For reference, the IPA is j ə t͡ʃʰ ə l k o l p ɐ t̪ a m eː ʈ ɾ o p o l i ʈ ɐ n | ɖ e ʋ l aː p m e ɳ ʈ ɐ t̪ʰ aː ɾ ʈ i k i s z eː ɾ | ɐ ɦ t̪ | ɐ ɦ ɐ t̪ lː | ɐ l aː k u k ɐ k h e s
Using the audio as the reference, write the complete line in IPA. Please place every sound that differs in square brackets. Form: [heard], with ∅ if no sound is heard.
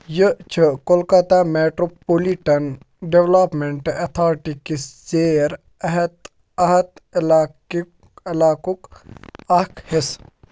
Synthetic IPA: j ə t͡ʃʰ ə [∅] k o l [k] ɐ t̪ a m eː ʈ ɾ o p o l i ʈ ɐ n | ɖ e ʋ l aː p m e ɳ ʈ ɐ t̪ʰ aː ɾ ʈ i k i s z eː ɾ | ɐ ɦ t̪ | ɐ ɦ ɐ t̪ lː | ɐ l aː k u k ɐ k h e s